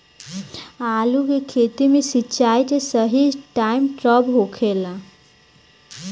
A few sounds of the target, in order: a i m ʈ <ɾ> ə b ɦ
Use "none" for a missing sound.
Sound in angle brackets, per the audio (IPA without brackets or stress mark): ɾ